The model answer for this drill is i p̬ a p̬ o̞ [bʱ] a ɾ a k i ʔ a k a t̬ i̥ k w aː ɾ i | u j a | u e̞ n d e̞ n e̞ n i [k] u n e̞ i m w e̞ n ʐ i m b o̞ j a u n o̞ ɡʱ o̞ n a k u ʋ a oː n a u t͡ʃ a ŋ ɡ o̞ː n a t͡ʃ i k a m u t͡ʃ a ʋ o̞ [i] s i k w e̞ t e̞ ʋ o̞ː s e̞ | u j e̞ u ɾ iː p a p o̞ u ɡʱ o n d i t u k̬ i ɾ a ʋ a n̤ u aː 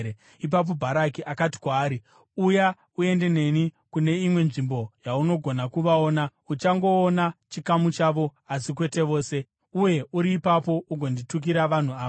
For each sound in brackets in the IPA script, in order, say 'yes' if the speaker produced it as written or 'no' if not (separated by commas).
yes, yes, no